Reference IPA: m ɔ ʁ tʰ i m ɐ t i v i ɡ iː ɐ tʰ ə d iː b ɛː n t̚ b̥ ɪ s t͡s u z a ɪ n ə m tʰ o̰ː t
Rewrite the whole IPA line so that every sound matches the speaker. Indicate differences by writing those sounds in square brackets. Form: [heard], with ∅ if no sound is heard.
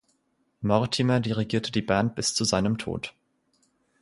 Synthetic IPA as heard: m ɔ ʁ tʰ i m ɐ [d] i [ʁ] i ɡ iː ɐ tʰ ə d iː b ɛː n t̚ b̥ ɪ s t͡s u z a ɪ n ə m tʰ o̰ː t